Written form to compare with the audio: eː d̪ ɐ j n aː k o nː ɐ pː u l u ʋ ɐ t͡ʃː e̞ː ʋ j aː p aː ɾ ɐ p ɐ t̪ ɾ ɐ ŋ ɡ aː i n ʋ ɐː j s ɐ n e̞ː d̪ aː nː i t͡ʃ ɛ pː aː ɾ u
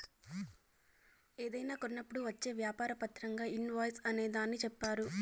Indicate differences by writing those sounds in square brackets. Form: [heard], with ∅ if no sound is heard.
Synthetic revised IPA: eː d̪ ɐ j n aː k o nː ɐ pː u [ɽ] u ʋ ɐ t͡ʃː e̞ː ʋ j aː p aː ɾ ɐ p ɐ t̪ ɾ ɐ ŋ ɡ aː i n ʋ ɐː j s ɐ n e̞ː d̪ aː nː i t͡ʃ ɛ pː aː ɾ u